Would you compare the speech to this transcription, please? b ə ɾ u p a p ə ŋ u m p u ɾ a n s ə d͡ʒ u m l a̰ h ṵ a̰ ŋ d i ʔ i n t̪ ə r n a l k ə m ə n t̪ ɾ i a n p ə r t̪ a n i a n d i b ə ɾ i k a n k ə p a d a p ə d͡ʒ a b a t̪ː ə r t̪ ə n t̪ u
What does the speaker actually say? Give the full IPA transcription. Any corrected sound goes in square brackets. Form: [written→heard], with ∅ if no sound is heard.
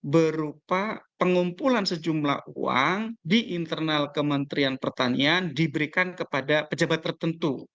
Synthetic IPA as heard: b ə ɾ u p a p ə ŋ u m p u [ɾ→l] a n s ə d͡ʒ u m l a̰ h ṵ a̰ ŋ d i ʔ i n t̪ ə r n a l k ə m ə n t̪ ɾ i a n p ə r t̪ a n i a n d i b ə ɾ i k a n k ə p a d a p ə d͡ʒ a b a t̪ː ə r t̪ ə n t̪ u

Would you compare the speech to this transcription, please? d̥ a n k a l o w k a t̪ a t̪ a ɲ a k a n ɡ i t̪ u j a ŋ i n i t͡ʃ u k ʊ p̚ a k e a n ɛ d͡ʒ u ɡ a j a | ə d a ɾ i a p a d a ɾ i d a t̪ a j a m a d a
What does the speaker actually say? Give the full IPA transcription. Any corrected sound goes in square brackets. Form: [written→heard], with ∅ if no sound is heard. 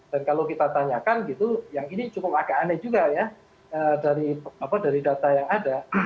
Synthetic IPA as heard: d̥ a n k a l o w k [a→i] t̪ a t̪ a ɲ a k a n ɡ i t̪ u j a ŋ i n i t͡ʃ u k ʊ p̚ a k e a n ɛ d͡ʒ u ɡ a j a | ə d a ɾ i a p a d a ɾ i d a t̪ a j a [m→ŋ] a d a

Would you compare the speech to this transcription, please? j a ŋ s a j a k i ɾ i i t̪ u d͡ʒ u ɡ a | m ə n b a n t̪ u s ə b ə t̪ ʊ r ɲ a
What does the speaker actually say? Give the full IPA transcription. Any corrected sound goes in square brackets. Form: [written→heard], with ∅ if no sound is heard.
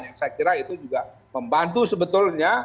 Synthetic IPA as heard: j a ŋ s a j a k i ɾ [i→a] i t̪ u d͡ʒ u ɡ a | m ə [n→m] b a n t̪ u s ə b ə t̪ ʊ [r→l] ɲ a

